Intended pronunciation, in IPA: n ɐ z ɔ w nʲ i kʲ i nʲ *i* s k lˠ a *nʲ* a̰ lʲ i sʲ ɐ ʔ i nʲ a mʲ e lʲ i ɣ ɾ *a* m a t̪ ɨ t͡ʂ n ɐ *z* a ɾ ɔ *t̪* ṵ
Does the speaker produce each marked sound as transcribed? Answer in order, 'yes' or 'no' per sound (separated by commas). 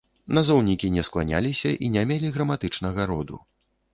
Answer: no, yes, no, no, no